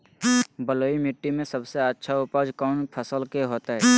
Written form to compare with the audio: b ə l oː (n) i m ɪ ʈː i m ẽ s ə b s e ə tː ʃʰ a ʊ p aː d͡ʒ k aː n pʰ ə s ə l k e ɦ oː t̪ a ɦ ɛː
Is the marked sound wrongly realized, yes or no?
yes